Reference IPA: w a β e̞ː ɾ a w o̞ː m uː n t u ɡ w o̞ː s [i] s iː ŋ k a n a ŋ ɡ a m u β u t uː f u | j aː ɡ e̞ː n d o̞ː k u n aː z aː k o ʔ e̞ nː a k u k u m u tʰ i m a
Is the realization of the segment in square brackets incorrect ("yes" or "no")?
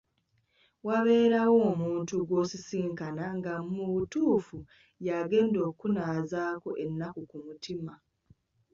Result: no